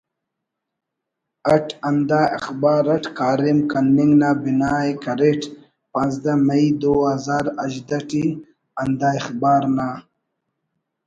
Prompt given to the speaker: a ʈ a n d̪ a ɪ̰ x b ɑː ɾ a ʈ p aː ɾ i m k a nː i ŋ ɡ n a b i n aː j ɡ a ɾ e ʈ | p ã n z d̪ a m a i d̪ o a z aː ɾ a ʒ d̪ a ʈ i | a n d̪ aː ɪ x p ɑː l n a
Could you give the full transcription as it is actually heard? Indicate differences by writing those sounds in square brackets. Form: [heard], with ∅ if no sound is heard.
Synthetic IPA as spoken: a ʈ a n d̪ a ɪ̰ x b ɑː ɾ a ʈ [k] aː ɾ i m k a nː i ŋ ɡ n a b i n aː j [k] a ɾ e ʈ | p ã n z d̪ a m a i d̪ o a z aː ɾ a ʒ d̪ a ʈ i | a n d̪ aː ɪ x [b] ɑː [ɾ] n a